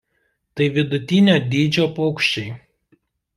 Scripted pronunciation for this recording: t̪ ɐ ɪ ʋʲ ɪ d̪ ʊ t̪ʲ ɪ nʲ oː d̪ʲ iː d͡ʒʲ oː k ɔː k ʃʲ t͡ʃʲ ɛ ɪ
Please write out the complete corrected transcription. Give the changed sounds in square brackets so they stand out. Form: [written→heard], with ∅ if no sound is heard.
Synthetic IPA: t̪ ɐ ɪ ʋʲ ɪ d̪ ʊ t̪ʲ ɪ nʲ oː d̪ʲ iː d͡ʒʲ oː [k→p] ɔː k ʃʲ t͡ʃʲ ɛ ɪ